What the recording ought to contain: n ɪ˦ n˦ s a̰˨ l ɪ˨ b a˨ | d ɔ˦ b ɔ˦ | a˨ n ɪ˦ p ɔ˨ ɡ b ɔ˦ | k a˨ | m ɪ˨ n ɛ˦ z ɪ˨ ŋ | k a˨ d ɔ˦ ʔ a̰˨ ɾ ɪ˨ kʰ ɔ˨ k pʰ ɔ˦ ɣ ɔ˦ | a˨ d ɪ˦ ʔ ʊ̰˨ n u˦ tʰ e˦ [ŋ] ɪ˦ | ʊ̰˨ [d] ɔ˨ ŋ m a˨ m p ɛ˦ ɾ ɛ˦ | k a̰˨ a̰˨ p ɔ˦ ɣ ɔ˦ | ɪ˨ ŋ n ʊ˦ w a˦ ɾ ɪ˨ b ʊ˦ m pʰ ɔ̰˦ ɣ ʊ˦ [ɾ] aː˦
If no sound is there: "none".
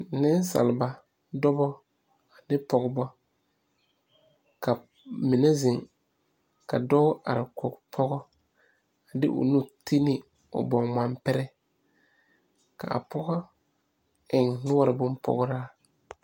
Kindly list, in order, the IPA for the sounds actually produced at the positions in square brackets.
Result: n, b, ɾ

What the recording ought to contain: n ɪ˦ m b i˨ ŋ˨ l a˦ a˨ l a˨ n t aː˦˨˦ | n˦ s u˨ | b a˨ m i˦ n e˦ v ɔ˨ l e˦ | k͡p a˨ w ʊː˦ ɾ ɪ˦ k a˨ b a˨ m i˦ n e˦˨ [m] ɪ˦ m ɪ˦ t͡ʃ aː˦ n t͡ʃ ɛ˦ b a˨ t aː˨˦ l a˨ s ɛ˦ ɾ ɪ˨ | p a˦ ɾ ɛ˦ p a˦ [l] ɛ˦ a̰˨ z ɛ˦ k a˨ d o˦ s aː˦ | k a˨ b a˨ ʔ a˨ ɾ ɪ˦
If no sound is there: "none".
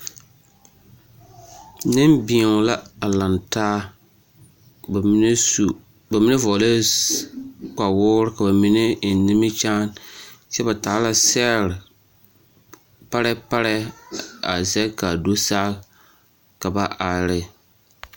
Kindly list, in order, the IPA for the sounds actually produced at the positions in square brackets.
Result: n, ɾ

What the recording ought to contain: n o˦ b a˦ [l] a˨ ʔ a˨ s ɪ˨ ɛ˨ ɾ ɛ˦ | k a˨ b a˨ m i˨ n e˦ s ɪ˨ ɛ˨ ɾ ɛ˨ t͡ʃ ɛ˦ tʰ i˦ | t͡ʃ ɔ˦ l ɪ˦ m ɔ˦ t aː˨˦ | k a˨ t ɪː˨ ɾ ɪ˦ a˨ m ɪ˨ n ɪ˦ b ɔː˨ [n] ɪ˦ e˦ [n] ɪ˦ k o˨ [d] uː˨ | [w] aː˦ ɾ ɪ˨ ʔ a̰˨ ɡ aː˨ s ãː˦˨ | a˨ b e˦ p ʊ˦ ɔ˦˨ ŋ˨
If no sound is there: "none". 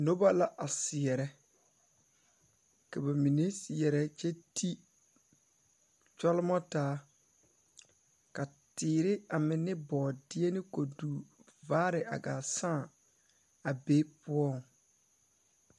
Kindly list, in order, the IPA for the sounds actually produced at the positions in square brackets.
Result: l, d, n, d, v

